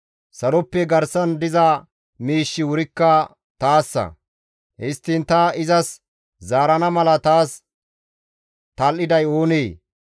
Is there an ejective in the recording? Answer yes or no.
no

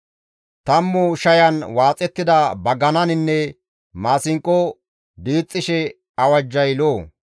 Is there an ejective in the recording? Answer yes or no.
yes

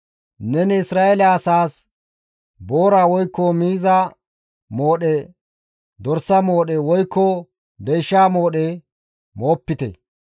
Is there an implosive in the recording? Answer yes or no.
yes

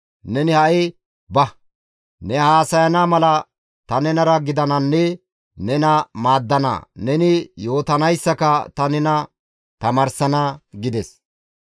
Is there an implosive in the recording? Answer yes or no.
no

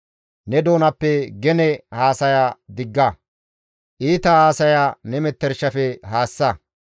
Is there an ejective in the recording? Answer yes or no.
no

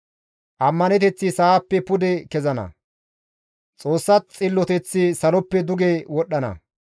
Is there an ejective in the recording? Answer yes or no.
yes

